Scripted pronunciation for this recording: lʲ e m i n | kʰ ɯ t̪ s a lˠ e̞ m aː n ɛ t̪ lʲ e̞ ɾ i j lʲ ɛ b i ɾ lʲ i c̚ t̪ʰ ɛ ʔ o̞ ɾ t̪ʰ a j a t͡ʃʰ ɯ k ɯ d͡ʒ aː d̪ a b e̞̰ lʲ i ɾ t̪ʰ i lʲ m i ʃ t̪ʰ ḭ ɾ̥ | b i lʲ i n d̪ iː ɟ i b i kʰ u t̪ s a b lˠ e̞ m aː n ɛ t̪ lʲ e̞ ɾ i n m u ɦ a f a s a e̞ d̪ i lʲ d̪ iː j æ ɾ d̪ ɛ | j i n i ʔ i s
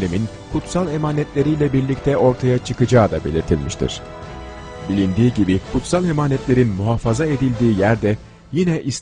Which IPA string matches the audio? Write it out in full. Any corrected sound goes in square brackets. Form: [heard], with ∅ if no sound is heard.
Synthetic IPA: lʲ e m i n | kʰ [u] t̪ s a lˠ e̞ m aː n ɛ t̪ lʲ e̞ ɾ i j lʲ ɛ b i ɾ lʲ i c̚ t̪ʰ ɛ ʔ o̞ ɾ t̪ʰ a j a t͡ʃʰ ɯ k ɯ d͡ʒ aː d̪ a b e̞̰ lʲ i ɾ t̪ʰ i lʲ m i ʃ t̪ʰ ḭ ɾ̥ | b i lʲ i n d̪ iː ɟ i b i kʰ u t̪ s a [∅] lˠ e̞ m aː n ɛ t̪ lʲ e̞ ɾ i n m u ɦ a f a [z] a e̞ d̪ i lʲ d̪ iː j æ ɾ d̪ ɛ | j i n [ɛ] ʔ i s